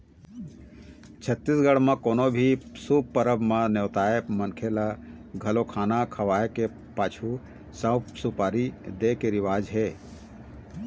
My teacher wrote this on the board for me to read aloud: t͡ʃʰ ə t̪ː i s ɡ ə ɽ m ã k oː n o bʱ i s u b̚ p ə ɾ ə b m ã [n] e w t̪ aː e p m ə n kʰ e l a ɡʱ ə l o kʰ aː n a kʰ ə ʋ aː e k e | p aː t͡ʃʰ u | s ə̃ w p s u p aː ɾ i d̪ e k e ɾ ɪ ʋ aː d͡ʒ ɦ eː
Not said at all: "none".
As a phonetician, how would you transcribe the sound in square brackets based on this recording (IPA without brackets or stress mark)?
n